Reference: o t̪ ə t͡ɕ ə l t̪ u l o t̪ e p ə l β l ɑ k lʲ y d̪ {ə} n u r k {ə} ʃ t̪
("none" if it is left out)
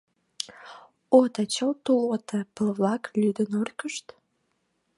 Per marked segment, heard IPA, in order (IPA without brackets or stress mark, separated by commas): ə, ə